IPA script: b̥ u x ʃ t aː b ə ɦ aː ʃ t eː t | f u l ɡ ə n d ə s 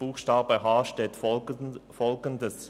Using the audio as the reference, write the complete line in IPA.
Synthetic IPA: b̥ uː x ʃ t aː b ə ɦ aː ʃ t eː t | f ɔ l ɡ ə n d ə s